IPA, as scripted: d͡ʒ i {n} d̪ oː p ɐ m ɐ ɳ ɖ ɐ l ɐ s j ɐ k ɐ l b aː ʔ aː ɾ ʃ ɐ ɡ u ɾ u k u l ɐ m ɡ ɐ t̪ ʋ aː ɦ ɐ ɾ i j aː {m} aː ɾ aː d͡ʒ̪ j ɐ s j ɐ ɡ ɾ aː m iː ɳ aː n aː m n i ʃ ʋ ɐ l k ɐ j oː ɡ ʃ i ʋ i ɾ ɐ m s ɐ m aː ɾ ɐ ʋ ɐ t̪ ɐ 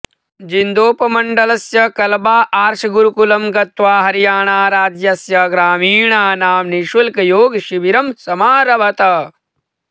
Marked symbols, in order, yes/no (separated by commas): yes, no